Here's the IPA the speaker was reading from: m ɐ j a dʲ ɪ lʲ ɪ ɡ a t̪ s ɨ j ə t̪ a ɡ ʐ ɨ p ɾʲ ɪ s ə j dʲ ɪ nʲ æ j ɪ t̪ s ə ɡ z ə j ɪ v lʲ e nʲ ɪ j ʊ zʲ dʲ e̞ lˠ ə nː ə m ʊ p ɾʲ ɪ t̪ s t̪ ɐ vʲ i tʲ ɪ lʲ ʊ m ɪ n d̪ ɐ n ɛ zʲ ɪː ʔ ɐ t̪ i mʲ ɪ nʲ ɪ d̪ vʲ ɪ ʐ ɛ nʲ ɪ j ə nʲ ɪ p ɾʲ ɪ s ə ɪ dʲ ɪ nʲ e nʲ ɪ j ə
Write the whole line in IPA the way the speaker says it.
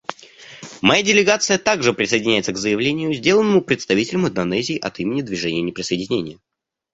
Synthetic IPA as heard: m ɐ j a dʲ ɪ lʲ ɪ ɡ a t̪ s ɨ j ə t̪ a ɡ ʐ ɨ p ɾʲ ɪ s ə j dʲ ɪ nʲ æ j ɪ t̪ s ə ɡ z ə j ɪ v lʲ e nʲ ɪ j ʊ zʲ dʲ e̞ lˠ ə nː ə m ʊ p ɾʲ ɪ t̪ s t̪ ɐ vʲ i tʲ ɪ lʲ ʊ m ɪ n d̪ ɐ n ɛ zʲ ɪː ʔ ɐ t̪ i mʲ ɪ nʲ ɪ d̪ vʲ ɪ ʐ ɛ nʲ ɪ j ə nʲ ɪ p ɾʲ ɪ s ə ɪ dʲ ɪ nʲ e nʲ ɪ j ə